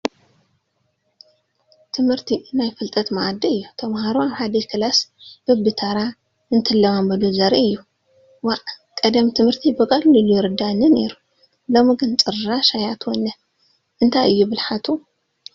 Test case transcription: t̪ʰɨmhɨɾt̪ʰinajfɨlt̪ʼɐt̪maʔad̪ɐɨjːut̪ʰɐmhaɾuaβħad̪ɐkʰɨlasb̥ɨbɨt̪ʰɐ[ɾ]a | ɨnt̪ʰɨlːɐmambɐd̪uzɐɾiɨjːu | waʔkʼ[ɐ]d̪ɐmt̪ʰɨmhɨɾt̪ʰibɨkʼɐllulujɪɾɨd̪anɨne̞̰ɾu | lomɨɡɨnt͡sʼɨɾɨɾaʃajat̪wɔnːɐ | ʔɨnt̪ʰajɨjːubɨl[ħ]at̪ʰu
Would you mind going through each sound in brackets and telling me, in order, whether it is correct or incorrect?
correct, correct, correct

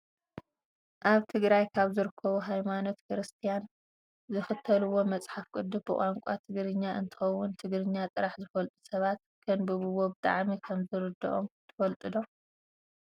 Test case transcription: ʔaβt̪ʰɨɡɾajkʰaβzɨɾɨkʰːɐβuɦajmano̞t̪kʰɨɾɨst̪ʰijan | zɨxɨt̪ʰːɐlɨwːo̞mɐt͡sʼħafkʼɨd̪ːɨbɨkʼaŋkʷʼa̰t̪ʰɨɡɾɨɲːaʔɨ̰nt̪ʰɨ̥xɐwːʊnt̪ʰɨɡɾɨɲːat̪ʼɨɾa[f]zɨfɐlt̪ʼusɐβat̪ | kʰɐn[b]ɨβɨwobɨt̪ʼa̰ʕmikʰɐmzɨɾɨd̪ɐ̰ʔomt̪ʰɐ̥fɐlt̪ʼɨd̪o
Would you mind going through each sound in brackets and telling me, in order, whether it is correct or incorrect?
incorrect: ħ, correct

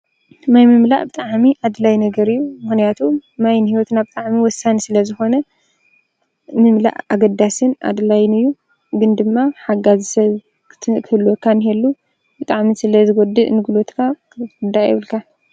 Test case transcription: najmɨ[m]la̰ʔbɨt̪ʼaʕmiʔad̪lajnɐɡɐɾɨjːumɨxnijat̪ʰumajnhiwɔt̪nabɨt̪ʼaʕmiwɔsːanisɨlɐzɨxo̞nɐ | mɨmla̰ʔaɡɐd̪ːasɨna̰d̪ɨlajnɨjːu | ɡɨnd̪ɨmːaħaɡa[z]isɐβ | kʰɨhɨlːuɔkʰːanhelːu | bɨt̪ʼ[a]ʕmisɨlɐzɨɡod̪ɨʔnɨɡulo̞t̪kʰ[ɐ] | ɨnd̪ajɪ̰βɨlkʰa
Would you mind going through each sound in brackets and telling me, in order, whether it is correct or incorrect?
correct, correct, correct, incorrect: a

